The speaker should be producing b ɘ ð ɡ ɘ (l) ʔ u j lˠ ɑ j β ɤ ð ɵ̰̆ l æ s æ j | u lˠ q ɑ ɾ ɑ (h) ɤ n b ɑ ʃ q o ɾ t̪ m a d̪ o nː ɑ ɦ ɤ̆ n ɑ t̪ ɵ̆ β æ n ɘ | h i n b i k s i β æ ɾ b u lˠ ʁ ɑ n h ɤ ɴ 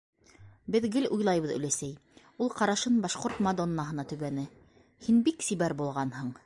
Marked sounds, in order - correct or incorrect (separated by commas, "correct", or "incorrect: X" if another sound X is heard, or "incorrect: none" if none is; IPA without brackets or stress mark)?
correct, incorrect: ʃ